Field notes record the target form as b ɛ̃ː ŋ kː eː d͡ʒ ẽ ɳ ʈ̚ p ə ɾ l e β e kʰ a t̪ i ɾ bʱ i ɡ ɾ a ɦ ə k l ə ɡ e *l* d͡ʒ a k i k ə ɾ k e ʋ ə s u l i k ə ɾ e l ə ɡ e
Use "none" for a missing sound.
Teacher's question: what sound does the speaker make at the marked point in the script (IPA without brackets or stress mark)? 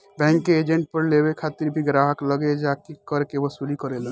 none